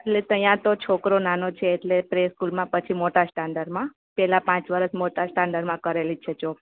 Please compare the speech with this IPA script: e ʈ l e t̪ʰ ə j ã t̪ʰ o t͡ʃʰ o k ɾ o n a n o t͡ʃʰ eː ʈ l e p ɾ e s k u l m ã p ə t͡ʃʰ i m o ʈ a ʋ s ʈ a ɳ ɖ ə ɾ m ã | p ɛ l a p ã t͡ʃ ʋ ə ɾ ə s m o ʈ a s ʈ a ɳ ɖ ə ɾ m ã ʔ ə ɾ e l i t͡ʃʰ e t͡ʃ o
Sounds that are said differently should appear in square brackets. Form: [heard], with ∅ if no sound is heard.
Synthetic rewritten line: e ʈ l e [t̪] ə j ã [t̪] o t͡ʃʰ o k ɾ o n a n o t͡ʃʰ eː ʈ l e p ɾ e s k u l m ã p ə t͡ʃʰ i m o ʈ a [∅] s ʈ a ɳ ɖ ə ɾ m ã | p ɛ l a p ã t͡ʃ ʋ ə ɾ ə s m o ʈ a s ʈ a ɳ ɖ ə ɾ m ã [k] ə ɾ e l i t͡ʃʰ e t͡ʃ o

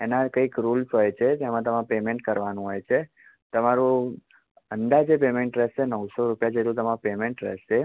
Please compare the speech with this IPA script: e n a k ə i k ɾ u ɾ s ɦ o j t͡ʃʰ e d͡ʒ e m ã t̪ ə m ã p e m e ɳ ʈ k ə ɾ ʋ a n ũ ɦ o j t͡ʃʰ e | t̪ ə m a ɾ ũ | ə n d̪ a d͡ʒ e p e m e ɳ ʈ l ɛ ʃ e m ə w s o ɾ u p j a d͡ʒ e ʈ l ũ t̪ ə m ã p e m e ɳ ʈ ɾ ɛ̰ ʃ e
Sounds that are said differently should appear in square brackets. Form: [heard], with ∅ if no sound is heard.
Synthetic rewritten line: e n a k ə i k ɾ u [l] s ɦ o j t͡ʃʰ e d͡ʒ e m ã t̪ ə m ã p e m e ɳ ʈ k ə ɾ ʋ a n ũ ɦ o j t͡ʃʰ e | t̪ ə m a ɾ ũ | ə n d̪ a d͡ʒ e p e m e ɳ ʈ [ɾ] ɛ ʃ e [n] ə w s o ɾ u p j a d͡ʒ e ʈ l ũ t̪ ə m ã p e m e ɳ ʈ ɾ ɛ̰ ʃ e

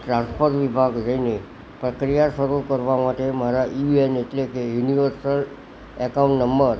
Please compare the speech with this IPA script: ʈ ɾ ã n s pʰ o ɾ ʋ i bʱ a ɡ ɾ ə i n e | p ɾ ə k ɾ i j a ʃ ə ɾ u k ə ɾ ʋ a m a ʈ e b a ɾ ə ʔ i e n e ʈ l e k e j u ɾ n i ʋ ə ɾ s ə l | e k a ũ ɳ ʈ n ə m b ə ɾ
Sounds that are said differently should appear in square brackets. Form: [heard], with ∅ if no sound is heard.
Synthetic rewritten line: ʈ ɾ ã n s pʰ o ɾ ʋ i bʱ a ɡ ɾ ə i n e | p ɾ ə k ɾ i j a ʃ ə ɾ u k ə ɾ ʋ a m a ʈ e [m] a ɾ [a] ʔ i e n e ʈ l e k e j u [∅] n i ʋ ə ɾ s ə l | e k a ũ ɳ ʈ n ə m b ə ɾ

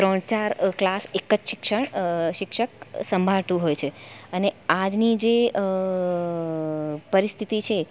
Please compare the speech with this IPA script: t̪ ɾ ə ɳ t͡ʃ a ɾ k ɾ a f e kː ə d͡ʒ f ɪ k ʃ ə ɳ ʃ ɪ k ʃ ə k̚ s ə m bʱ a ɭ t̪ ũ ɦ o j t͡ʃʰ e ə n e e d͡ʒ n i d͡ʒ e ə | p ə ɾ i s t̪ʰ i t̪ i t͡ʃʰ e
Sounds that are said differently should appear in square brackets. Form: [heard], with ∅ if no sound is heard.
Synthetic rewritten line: t̪ ɾ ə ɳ t͡ʃ a ɾ k [l] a [s] e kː ə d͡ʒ [ʃ] ɪ k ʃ ə ɳ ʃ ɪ k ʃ ə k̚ s ə m bʱ a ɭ t̪ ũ ɦ o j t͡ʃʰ e ə n e [a] d͡ʒ n i d͡ʒ e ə | p ə ɾ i s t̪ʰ i t̪ i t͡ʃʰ e

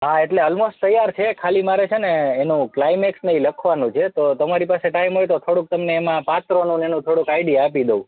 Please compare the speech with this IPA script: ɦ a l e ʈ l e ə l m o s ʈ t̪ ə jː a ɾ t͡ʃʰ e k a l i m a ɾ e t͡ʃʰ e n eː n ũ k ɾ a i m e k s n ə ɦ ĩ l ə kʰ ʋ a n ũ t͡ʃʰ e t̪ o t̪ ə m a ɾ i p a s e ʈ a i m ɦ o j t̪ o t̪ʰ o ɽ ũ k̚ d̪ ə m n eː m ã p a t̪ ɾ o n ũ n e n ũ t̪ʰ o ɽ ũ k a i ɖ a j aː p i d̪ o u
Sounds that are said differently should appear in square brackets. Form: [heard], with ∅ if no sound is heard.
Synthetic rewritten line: ɦ a [∅] e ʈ l e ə l m o s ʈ t̪ ə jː a ɾ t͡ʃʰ e [kʰ] a l i m a ɾ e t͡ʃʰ e n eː n ũ k [l] a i m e k s n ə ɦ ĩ l ə kʰ ʋ a n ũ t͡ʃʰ e t̪ o t̪ ə m a ɾ i p a s e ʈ a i m ɦ o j t̪ o t̪ʰ o ɽ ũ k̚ [t̪] ə m n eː m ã p a t̪ ɾ o n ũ n e n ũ t̪ʰ o ɽ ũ k a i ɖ [i] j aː p i d̪ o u

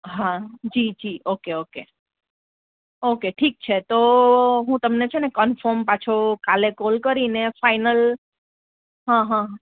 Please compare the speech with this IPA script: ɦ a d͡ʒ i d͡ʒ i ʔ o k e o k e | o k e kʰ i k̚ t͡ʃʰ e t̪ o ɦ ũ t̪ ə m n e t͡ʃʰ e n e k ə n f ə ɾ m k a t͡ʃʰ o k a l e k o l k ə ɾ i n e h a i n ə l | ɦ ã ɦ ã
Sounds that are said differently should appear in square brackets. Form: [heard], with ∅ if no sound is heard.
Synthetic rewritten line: ɦ a d͡ʒ i d͡ʒ i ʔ o k e o k e | o k e [ʈʰ] i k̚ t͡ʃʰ e t̪ o ɦ ũ t̪ ə m n e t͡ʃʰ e n e k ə n f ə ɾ m [p] a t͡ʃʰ o k a l e k o l k ə ɾ i n e [f] a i n ə l | ɦ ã ɦ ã

